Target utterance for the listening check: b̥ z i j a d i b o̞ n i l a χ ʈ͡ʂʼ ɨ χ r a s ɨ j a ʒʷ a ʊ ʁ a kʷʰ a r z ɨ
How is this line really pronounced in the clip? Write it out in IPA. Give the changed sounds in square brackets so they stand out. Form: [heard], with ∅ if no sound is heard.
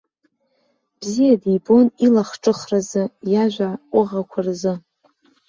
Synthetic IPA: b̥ z i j a d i b o̞ n i l a χ ʈ͡ʂʼ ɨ χ r a [z] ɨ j a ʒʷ a ʊ ʁ a kʷʰ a r z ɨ